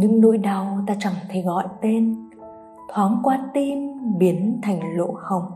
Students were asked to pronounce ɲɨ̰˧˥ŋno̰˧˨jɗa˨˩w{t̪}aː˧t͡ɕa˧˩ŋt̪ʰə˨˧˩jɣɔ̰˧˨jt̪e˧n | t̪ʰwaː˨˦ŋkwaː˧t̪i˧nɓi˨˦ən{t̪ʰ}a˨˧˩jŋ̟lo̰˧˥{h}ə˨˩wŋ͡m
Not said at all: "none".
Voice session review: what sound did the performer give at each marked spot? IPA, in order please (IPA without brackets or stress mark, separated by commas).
t̪, t̪ʰ, x